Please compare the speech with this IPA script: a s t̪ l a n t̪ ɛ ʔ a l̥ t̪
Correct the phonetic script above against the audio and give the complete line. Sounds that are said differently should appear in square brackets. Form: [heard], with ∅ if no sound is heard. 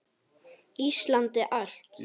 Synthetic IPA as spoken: [i] s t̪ l a n t̪ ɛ ʔ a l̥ t̪